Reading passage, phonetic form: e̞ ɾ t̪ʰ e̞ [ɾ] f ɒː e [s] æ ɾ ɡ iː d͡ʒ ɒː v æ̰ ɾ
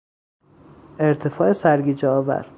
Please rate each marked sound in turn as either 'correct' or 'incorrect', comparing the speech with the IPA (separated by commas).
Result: incorrect, correct